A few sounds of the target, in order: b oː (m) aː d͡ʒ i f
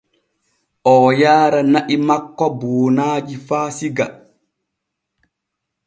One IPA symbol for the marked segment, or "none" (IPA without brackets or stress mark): n